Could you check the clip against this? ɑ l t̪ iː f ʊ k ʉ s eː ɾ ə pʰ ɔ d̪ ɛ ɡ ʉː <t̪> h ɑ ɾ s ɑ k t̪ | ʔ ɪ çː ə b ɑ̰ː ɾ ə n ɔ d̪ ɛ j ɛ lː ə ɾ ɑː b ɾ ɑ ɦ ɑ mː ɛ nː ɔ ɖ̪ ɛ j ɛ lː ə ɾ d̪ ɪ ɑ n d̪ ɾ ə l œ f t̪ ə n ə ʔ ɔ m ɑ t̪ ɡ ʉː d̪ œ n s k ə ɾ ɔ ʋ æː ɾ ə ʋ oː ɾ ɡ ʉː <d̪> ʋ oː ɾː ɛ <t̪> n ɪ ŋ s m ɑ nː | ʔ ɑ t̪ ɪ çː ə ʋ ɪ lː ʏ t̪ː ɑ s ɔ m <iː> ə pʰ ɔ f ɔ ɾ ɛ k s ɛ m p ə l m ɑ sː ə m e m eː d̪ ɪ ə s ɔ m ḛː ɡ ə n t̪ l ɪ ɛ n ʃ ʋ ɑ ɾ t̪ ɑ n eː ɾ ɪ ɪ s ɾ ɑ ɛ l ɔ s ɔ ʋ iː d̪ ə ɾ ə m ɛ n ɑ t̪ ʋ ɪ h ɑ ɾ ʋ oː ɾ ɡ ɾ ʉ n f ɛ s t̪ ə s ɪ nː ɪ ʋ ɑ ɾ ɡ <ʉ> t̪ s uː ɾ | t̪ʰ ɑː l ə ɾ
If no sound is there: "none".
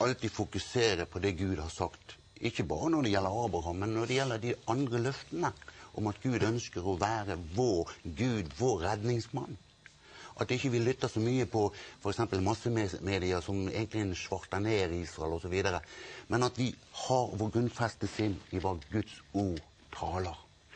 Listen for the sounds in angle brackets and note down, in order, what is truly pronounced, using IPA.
d̪, d̪, d̪, yː, ʉ

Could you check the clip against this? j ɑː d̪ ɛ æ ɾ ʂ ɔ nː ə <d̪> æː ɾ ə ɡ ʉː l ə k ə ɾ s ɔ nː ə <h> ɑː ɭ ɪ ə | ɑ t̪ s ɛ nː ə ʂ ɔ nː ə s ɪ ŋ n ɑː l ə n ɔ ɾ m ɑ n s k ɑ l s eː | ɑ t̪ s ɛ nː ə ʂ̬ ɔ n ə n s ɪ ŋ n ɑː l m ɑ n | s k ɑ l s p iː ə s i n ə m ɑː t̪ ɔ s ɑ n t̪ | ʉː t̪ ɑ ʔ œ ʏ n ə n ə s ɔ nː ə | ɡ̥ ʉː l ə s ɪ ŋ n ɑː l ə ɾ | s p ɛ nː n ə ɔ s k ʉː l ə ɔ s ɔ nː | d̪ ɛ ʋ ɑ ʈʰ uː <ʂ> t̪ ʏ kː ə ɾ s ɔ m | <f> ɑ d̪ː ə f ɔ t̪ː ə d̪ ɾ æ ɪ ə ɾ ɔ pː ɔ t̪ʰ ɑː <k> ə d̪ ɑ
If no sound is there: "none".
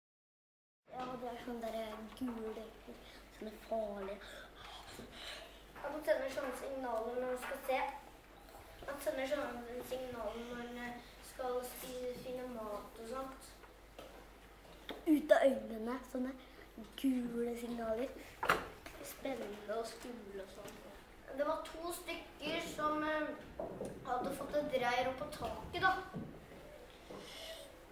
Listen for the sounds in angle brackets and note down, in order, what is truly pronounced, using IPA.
d̪, f, s, h, k

